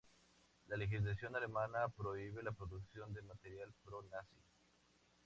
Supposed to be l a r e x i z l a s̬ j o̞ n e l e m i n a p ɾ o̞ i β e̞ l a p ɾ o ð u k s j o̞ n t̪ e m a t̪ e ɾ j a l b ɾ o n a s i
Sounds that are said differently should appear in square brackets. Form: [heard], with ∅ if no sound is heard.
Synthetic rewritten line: l a [l] e x i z l a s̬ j o̞ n [a] l e m [a] n a p ɾ o̞ i β e̞ l a p ɾ o ð u k s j o̞ n [d̪] e m a t̪ e ɾ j a l [p] ɾ o n a s i

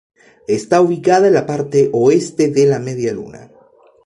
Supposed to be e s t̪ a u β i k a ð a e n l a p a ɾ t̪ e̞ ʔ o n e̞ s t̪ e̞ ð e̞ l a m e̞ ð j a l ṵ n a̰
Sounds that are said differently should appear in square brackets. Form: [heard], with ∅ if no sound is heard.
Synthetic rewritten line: e s t̪ a u β i k a ð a e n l a p a ɾ t̪ e̞ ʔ o [∅] e̞ s t̪ e̞ ð e̞ l a m e̞ ð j a l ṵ n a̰

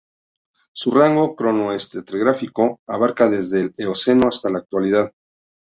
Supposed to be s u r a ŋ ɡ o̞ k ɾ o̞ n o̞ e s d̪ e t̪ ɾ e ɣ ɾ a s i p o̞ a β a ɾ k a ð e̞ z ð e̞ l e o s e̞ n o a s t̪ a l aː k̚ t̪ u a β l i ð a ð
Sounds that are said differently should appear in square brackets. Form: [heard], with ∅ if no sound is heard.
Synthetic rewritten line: s u r a ŋ ɡ o̞ k ɾ o̞ n o̞ e s [t̪] e t̪ ɾ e ɣ ɾ a [f] i [k] o̞ a β a ɾ k a ð e̞ z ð e̞ l e o s e̞ n o a s t̪ a l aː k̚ t̪ [w] a [∅] l i ð a ð

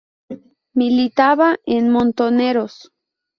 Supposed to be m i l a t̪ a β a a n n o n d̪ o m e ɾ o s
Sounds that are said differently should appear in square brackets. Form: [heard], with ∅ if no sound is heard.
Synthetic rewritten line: m i l [i] t̪ a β a [e] n [m] o n [t̪] o [n] e ɾ o s

